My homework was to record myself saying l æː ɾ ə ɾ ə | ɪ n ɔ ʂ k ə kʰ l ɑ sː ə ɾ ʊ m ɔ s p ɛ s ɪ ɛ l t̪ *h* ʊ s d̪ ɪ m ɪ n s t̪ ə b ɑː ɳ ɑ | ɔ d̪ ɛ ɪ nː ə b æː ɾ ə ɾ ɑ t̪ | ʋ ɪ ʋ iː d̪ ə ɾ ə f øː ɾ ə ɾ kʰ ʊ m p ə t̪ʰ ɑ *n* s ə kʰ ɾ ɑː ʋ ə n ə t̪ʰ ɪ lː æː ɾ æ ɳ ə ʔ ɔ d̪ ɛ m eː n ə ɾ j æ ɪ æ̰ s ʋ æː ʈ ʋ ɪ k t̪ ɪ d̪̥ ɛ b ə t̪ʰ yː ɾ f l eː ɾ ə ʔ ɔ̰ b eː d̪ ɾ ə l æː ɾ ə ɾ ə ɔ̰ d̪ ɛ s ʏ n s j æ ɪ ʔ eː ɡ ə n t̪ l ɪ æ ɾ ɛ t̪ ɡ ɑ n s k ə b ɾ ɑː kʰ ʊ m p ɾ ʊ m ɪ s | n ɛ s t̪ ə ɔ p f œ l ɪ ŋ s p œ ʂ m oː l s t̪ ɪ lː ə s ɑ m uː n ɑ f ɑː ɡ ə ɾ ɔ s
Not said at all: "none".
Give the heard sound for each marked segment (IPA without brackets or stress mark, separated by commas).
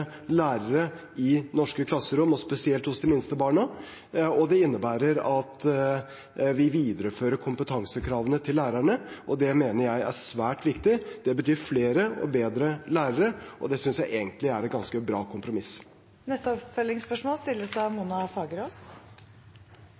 h, ŋ